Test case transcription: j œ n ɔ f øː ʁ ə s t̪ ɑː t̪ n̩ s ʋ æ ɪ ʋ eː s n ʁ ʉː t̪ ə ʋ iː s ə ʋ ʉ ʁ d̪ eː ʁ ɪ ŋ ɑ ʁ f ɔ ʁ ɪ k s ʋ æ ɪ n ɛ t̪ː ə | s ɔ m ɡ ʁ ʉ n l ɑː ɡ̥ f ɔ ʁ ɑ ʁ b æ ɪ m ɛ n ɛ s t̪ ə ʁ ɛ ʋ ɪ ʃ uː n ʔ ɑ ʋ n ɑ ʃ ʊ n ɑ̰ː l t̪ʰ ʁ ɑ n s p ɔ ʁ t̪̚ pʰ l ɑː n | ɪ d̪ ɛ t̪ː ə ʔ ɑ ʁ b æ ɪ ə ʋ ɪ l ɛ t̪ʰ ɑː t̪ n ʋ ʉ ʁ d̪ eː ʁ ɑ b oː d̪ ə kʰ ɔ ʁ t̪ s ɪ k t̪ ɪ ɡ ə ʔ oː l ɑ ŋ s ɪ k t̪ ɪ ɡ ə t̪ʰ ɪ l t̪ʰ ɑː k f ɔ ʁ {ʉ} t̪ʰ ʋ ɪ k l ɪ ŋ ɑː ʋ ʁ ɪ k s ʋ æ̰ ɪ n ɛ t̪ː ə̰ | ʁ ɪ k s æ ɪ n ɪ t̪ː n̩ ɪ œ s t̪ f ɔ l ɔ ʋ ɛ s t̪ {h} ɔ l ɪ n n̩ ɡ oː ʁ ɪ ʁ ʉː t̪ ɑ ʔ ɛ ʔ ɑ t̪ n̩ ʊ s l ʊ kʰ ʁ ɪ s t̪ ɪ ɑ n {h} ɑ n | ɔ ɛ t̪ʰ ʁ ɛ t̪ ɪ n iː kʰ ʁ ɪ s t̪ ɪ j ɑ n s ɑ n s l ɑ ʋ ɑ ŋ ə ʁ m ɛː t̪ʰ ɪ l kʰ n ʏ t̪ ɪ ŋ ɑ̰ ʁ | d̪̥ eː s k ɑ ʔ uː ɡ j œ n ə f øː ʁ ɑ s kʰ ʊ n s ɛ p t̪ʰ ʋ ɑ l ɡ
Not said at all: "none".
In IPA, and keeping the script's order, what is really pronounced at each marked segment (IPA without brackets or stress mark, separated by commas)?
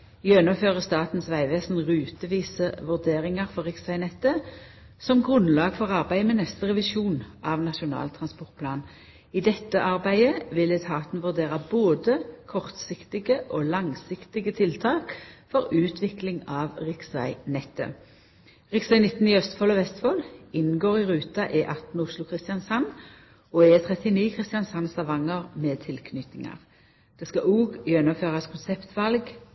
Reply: ʉː, f, s